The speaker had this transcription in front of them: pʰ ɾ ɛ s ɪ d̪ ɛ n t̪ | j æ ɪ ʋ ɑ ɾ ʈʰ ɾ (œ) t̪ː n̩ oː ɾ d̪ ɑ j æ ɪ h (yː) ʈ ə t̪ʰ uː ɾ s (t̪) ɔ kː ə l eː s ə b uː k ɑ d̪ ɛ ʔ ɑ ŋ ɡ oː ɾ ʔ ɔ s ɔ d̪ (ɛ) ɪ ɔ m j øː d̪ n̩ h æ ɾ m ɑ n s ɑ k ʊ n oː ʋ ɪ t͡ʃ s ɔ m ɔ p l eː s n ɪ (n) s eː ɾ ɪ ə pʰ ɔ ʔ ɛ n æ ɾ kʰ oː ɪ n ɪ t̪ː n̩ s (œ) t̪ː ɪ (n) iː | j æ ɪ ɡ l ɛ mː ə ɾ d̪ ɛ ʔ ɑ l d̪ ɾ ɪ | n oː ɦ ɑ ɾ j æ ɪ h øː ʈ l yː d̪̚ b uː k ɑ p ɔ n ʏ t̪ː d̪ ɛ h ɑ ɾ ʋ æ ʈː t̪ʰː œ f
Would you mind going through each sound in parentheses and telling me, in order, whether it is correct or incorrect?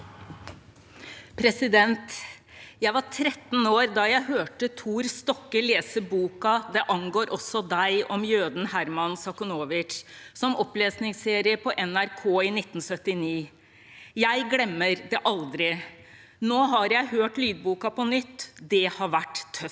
incorrect: ɛ, incorrect: øː, correct, incorrect: æ, incorrect: ŋ, correct, correct

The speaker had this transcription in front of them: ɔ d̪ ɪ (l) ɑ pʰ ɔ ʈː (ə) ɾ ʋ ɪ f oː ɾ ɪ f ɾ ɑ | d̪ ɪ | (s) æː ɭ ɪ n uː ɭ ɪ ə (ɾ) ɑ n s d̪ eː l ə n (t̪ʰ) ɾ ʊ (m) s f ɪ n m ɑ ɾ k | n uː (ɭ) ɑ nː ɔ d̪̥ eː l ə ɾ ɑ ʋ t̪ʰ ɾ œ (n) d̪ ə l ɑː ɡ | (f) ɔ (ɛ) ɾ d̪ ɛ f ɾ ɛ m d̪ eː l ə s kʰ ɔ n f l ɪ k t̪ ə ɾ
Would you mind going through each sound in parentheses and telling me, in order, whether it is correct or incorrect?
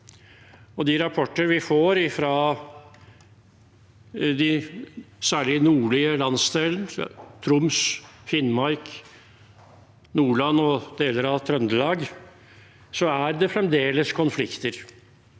incorrect: ɾ, correct, correct, incorrect: l, correct, correct, correct, correct, incorrect: s, incorrect: æ

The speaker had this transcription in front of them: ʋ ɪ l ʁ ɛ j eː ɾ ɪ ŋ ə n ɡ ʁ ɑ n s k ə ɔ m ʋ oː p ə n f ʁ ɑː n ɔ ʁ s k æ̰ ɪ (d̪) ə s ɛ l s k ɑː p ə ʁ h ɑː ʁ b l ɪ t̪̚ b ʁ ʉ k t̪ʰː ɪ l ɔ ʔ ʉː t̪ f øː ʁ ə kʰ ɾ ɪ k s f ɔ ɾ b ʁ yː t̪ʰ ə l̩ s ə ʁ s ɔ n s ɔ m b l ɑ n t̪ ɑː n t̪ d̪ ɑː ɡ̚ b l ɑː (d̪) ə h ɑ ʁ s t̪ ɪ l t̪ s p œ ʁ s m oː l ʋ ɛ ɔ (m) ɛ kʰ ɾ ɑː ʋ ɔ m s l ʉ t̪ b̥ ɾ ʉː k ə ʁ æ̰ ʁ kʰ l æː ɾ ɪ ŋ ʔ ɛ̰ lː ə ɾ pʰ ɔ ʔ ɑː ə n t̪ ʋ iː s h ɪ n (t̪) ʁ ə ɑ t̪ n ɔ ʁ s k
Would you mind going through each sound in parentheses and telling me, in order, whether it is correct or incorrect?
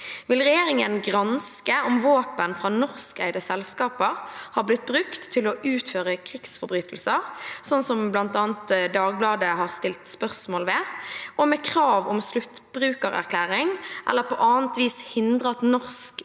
correct, correct, correct, incorrect: d̪

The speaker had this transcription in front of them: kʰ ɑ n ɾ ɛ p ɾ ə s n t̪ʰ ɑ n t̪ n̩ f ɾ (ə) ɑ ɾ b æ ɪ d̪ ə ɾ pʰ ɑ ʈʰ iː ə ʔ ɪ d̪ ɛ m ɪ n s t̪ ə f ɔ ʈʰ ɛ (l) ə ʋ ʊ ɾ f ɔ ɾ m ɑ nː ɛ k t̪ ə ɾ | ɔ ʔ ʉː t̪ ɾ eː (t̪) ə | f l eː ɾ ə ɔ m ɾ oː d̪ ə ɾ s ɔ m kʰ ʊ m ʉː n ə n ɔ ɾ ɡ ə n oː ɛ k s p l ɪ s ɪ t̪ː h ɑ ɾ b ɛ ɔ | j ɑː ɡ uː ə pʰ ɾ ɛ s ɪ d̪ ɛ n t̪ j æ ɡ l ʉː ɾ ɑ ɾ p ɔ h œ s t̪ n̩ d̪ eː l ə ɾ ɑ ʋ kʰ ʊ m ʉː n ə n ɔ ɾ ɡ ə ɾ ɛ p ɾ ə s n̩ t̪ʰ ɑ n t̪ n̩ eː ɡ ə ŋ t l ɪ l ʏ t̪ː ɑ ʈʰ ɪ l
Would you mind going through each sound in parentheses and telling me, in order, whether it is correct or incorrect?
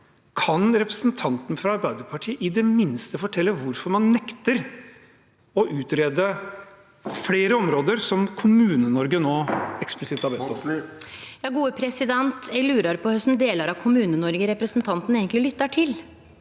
incorrect: ɑ, incorrect: lː, incorrect: d̪

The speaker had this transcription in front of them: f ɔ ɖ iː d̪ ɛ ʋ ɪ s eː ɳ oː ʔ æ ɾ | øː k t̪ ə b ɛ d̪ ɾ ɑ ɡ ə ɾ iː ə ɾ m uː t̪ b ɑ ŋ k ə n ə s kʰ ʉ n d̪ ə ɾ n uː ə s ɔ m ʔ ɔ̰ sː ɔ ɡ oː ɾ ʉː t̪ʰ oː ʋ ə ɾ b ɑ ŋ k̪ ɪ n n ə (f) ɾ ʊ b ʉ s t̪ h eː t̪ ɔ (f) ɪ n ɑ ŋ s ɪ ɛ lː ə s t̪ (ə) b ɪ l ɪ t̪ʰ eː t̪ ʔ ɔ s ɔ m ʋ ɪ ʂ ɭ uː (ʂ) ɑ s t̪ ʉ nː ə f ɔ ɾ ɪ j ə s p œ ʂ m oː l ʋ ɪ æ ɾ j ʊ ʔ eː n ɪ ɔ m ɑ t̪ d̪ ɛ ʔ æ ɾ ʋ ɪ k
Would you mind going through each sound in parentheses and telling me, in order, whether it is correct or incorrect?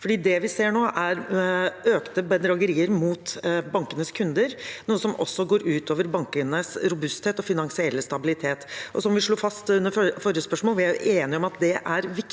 incorrect: s, correct, incorrect: ɑ, incorrect: f

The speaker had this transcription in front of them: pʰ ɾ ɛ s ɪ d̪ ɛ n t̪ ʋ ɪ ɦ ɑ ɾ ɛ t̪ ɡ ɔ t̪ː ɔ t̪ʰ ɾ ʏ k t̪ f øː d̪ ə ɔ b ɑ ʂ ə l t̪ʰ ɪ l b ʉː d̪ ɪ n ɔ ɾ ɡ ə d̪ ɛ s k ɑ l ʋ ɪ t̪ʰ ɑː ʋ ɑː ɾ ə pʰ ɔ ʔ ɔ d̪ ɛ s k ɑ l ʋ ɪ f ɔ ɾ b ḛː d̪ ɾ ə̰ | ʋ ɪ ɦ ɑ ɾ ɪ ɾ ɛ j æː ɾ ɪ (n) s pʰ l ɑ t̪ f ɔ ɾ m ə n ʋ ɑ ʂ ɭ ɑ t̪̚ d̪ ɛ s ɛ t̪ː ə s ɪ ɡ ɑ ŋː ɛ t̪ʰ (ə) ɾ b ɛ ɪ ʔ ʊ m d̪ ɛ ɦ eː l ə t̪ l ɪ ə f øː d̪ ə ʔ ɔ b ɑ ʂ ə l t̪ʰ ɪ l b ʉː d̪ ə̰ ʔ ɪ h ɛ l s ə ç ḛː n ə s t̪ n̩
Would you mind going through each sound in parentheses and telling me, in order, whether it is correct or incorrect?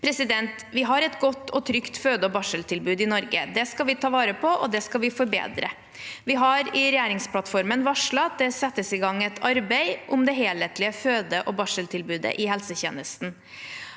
incorrect: ŋ, incorrect: ɑ

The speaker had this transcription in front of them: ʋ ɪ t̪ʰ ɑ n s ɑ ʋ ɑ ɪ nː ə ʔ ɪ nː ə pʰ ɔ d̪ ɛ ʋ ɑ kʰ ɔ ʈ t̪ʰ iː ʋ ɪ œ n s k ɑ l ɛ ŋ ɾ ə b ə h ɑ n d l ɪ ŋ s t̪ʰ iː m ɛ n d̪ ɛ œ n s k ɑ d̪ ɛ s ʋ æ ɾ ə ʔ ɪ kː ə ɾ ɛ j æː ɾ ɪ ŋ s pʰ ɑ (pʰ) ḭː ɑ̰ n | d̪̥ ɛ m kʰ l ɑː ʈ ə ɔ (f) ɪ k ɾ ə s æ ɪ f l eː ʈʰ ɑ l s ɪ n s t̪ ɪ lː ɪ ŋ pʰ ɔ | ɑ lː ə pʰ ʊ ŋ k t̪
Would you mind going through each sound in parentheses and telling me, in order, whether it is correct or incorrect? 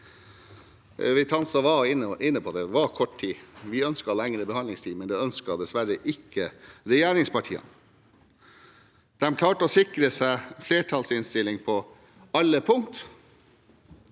incorrect: ʈʰ, incorrect: s

